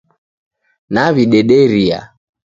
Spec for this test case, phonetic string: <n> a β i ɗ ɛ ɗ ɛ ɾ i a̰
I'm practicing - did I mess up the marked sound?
no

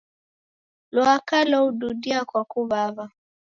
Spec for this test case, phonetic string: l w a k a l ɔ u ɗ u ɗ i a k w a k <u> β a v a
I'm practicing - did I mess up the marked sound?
no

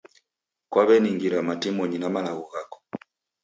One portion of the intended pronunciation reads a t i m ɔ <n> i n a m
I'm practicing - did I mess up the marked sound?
yes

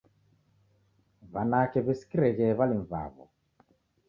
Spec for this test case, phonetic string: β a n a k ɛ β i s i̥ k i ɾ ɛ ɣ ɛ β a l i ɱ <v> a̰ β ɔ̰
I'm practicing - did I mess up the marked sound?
no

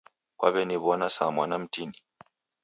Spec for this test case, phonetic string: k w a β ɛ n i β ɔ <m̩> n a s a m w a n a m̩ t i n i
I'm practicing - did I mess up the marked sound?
yes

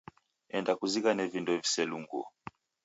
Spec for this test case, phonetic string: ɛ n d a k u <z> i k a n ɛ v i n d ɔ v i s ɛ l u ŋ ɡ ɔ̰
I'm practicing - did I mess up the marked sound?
no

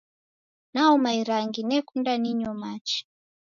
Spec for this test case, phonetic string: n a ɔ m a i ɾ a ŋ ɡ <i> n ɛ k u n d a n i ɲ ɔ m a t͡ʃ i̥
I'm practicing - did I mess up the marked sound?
no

